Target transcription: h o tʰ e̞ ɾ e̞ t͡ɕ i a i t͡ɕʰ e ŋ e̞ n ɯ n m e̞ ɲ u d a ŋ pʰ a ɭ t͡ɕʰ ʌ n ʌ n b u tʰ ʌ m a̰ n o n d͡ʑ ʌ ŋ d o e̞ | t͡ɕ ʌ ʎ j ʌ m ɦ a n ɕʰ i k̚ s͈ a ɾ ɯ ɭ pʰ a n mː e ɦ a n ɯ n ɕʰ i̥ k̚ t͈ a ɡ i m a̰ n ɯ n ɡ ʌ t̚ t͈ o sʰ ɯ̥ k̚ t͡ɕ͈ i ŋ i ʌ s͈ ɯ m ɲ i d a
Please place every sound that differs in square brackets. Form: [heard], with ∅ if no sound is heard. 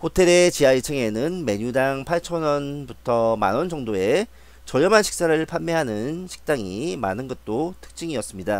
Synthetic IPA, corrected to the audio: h o tʰ e̞ ɾ e̞ t͡ɕ i a i t͡ɕʰ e ŋ e̞ n ɯ n m e̞ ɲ u d a ŋ pʰ a ɭ t͡ɕʰ ʌ n ʌ n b u tʰ ʌ m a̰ n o n d͡ʑ ʌ ŋ d o e̞ | t͡ɕ ʌ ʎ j ʌ m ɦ a n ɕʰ i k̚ s͈ a ɾ ɯ ɭ pʰ a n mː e ɦ a n ɯ n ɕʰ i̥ k̚ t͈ a [ŋ] i m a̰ n ɯ n ɡ ʌ t̚ t͈ o [tʰ] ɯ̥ k̚ t͡ɕ͈ i ŋ i ʌ s͈ ɯ m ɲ i d a

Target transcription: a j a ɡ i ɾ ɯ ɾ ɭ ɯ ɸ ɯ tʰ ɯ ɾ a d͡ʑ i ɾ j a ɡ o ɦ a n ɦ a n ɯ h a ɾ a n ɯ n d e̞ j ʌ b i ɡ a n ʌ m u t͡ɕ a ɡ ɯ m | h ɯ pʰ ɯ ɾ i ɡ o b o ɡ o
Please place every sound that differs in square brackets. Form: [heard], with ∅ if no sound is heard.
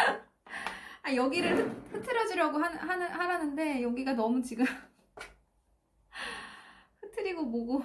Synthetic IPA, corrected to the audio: a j [ʌ] ɡ i ɾ ɯ [∅] ɭ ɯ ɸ ɯ tʰ ɯ ɾ [ʌ] d͡ʑ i ɾ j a ɡ o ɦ a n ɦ a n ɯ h a ɾ a n ɯ n d e̞ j ʌ [ɡ] i ɡ a n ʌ m u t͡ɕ [i] ɡ ɯ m | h ɯ [tʰ] ɯ ɾ i ɡ o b o ɡ o

